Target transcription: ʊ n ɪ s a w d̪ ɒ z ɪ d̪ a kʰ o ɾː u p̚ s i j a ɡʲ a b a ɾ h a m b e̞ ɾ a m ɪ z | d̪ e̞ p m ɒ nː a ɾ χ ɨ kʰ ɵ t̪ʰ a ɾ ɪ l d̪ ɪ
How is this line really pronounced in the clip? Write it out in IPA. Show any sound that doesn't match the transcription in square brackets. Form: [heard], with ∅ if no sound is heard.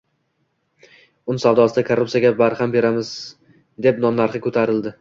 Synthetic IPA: ʊ n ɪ s a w d̪ ɒ [s] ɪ d̪ a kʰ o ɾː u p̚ s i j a ɡʲ a b a ɾ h a m b e̞ ɾ a m ɪ z | d̪ e̞ p [n] ɒ nː a ɾ χ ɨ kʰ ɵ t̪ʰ a ɾ ɪ l d̪ ɪ